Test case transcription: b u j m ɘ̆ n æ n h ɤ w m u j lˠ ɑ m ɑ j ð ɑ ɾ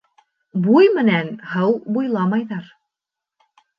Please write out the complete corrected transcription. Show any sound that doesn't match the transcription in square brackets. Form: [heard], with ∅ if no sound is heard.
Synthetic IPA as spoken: b u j m ɘ̆ n æ n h ɤ w [b] u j lˠ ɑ m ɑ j ð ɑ ɾ